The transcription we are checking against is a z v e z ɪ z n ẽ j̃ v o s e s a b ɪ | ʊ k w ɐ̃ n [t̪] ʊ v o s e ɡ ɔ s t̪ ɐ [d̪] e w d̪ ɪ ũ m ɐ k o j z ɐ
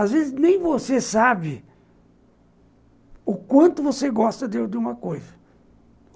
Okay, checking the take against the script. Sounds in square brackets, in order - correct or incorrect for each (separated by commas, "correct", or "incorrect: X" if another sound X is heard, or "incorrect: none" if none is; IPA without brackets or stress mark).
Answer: correct, correct